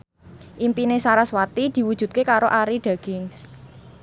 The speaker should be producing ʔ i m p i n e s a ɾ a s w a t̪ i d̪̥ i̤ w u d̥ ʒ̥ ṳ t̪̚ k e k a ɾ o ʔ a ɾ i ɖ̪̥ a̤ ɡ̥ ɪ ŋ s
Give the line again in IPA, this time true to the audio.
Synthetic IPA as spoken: ʔ i m p i n e s a ɾ a s w a t̪ i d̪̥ i̤ w u d̥ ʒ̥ ṳ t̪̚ k e k a ɾ o ʔ a ɾ i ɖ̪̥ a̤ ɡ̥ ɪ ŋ s